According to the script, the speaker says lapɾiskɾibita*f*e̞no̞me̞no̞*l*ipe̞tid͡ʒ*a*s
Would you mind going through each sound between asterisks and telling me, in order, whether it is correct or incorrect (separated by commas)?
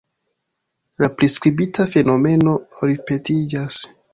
correct, incorrect, correct